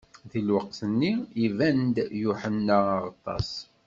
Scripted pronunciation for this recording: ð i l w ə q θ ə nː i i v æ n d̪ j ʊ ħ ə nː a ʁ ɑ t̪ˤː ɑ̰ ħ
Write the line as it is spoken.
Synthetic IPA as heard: ð i l w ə q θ ə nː i i v æ n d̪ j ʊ ħ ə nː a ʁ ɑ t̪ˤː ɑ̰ s